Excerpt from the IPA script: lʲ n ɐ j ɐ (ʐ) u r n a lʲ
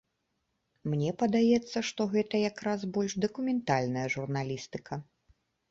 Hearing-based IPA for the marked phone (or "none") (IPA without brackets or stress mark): ʐ